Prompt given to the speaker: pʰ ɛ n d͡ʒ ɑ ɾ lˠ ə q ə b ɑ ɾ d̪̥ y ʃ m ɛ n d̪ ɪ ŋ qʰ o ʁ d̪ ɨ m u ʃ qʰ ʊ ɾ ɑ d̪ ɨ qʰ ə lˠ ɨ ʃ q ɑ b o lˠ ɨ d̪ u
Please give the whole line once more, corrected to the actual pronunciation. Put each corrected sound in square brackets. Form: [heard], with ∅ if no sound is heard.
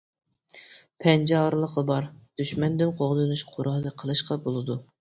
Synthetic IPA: pʰ ɛ n d͡ʒ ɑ ɾ lˠ ə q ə b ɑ ɾ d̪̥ y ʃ m ɛ n d̪ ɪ [n] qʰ o ʁ d̪ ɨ [n] u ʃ qʰ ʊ ɾ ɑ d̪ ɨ qʰ ə lˠ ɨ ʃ q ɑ b o lˠ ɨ d̪ u